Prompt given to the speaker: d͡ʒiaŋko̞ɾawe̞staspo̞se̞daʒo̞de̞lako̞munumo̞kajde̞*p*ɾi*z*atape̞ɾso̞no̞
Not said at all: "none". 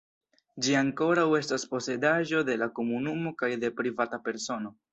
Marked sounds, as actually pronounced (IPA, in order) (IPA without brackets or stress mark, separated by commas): p, v